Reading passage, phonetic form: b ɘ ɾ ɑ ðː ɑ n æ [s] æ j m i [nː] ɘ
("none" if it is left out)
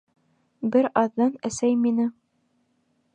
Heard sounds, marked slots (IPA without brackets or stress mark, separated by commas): s, n